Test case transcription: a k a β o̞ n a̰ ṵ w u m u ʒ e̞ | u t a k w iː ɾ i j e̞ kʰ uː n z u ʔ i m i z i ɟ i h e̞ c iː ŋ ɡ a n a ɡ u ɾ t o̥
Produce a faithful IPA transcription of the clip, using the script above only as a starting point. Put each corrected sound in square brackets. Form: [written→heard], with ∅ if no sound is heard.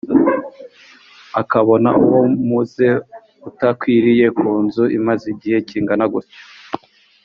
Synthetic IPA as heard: a k a β o̞ n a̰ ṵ w [u→o] m u [ʒ→z] e̞ | u t a k w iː ɾ i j e̞ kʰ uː n z u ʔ i m [i→a] z i ɟ i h e̞ c iː ŋ ɡ a n a ɡ u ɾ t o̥

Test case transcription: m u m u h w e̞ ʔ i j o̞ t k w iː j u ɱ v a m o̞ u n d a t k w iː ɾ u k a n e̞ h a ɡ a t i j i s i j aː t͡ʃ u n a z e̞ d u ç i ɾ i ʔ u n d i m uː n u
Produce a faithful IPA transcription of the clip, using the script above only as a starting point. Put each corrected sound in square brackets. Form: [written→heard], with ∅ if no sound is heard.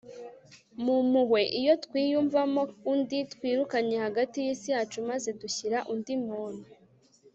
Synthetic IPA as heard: m u m u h w e̞ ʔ i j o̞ t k w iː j u ɱ v a m o̞ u n d [a→i] t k w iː ɾ u k a [n→ɲ] e̞ h a ɡ a t i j i s i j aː t͡ʃ u [n→m] a z e̞ d u ç i ɾ [i→a] ʔ u n d i m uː n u

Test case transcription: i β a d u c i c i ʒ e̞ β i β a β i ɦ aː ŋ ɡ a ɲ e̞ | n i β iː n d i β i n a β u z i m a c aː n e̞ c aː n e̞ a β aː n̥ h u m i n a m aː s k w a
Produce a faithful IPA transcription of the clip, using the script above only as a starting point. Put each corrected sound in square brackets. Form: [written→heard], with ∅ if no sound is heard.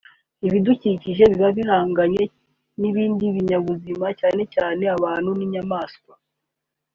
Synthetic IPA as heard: i β [a→i] d u c i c i ʒ e̞ β i β a β i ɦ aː ŋ ɡ a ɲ e̞ | n i β iː n d i β i [n→ɲ] a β u z i m a c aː n e̞ c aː n e̞ a β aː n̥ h u [m→n] i [n→ɲ] a m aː s k w a

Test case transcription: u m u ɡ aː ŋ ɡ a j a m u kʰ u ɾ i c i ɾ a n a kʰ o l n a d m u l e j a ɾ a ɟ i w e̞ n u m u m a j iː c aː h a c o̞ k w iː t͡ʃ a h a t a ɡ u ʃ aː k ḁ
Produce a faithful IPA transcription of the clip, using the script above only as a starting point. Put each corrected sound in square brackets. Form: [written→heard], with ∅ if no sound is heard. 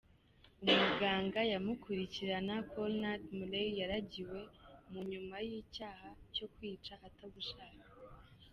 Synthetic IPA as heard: u m u ɡ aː ŋ ɡ a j a m u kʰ u ɾ i c i ɾ a n a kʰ o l n a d m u l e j a ɾ a ɟ i w e̞ [n→m] u [m→ɲ] u m a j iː c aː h a c o̞ k w iː t͡ʃ a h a t a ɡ u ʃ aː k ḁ

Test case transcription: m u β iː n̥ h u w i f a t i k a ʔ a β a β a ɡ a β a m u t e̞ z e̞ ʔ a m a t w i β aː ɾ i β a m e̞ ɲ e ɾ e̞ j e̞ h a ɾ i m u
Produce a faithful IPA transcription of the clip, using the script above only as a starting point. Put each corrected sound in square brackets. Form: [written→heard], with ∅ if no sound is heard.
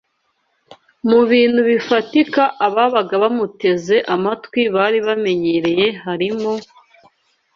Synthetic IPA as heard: m u β iː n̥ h u [w→β] i f a t i k a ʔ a β a β a ɡ a β a m u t e̞ z e̞ ʔ a m a t w i β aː ɾ i β a m e̞ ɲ e ɾ e̞ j e̞ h a ɾ i m [u→o]

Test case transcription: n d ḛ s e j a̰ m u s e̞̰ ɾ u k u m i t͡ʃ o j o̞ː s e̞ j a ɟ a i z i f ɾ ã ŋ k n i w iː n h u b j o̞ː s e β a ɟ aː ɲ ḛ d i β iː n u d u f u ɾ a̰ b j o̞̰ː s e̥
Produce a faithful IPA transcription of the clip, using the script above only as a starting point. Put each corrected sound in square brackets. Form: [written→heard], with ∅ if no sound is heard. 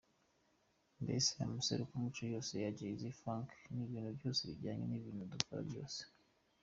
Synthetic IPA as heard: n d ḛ s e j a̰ m u s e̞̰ ɾ u k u m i t͡ʃ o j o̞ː s e̞ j a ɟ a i z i f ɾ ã ŋ k n i [w→β] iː n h u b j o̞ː s e β [a→i] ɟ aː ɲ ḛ [d→n] i β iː n u d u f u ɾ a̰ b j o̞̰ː s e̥

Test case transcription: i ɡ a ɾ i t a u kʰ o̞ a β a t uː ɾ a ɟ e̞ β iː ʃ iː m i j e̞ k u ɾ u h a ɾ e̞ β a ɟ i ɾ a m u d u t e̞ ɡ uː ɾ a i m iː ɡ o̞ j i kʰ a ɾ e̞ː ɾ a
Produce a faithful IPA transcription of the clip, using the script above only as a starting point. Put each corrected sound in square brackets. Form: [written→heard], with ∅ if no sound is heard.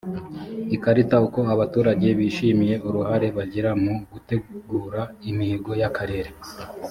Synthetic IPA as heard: i [ɡ→k] a ɾ i t a u [kʰ→k] o̞ a β a t uː ɾ a ɟ e̞ β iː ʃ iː m i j e̞ [k→∅] u ɾ u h a ɾ e̞ β a ɟ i ɾ a m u [d→ɡ] u t e̞ ɡ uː ɾ a i m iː ɡ o̞ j [i→a] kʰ a ɾ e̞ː ɾ [a→e]

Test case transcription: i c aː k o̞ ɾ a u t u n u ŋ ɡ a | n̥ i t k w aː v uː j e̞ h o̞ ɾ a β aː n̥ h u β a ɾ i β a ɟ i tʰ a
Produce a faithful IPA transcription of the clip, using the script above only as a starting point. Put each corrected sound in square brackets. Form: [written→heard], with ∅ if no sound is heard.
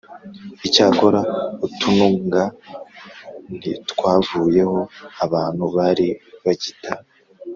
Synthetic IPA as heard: i c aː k o̞ ɾ a u t u n u ŋ ɡ a | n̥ i t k w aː v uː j e̞ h o̞ [ɾ→∅] a β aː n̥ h u β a ɾ i β a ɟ i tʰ a

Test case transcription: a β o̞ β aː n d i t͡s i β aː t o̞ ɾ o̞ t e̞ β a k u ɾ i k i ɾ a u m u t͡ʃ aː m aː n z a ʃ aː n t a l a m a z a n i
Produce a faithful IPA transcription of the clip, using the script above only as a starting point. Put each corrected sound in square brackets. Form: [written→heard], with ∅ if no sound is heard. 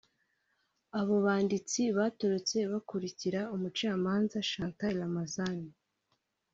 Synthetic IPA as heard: a β o̞ β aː n d i t͡s i β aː t o̞ ɾ o̞ [t→t͡s] e̞ β a k u ɾ i [k→c] i ɾ a u m u t͡ʃ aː m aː n z a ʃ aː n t a l a m a z a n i

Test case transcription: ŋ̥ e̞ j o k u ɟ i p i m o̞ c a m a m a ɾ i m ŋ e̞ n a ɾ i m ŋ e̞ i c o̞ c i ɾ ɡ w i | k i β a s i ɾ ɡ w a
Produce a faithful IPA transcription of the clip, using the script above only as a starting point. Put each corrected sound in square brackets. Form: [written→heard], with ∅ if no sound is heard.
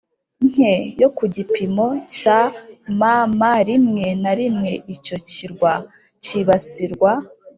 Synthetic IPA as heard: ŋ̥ e̞ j o k u ɟ i p i m o̞ c a m a m a ɾ i m ŋ e̞ n a ɾ i m ŋ e̞ i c o̞ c i ɾ ɡ w [i→a] | [k→c] i β a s i ɾ ɡ w a

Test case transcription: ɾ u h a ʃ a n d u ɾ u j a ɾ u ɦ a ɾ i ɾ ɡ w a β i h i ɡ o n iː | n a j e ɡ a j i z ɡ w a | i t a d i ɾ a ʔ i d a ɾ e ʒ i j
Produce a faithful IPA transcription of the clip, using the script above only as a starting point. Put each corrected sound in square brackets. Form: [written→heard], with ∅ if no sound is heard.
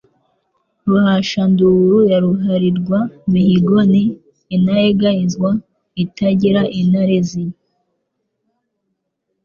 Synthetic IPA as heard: ɾ u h a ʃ a n d u ɾ u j a ɾ u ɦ a ɾ i ɾ ɡ w a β i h i ɡ o n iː | n a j e ɡ a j i z ɡ w a | i t a [d→ɟ] i ɾ a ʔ i [d→n] a ɾ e [ʒ→z] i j

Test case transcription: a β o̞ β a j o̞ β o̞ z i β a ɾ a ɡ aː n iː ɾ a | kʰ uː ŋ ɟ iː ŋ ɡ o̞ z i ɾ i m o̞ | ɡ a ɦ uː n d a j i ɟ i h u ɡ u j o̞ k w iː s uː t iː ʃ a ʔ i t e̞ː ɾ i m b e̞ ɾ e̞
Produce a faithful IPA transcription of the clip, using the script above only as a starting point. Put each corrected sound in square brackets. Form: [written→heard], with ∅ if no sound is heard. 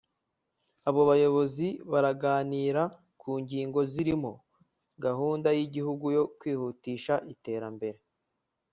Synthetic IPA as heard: a β o̞ β a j o̞ β o̞ z i β a ɾ a ɡ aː n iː ɾ a | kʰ uː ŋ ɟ iː ŋ ɡ o̞ z i ɾ i m o̞ | ɡ a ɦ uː n d a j i ɟ i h u ɡ u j o̞ k w iː [s→h] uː t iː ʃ a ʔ i t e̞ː ɾ [i→a] m b e̞ ɾ e̞

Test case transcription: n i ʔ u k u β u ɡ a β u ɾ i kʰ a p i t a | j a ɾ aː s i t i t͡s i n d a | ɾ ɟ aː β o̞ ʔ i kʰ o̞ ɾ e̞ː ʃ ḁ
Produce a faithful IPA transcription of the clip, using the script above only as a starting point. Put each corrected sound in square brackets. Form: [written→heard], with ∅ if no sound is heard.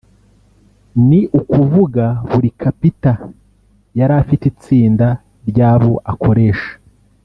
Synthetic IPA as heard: n i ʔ u k u [β→v] u ɡ a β u ɾ i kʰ a p i t a | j a ɾ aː [s→f] i t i t͡s [i→iː] n d a | ɾ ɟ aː β o̞ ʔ [i→a] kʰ o̞ ɾ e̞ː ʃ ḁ

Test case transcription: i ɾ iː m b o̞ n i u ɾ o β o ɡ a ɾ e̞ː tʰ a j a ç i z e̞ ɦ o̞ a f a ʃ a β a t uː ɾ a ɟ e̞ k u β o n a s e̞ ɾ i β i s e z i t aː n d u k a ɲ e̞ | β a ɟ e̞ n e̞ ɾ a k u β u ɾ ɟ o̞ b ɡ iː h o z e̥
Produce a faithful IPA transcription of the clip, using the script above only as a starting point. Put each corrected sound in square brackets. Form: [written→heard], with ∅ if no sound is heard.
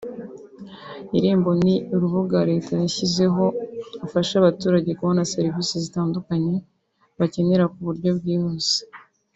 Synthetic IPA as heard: i ɾ iː m b o̞ n i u ɾ [o→u] β [o→u] ɡ a ɾ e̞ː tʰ a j a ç i z e̞ ɦ o̞ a f a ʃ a β a t uː ɾ a ɟ e̞ k u β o n a s e̞ ɾ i [β→v] i s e z i t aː n d u k a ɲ e̞ | β a [ɟ→c] e̞ n e̞ ɾ a k u β u ɾ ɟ o̞ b ɡ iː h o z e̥

